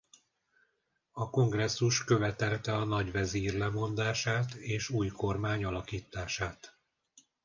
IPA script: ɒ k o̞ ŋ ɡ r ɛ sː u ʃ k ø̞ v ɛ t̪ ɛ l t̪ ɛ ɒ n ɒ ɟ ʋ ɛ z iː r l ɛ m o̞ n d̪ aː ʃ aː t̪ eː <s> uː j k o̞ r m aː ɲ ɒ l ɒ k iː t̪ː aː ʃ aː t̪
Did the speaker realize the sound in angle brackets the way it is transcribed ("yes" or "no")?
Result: no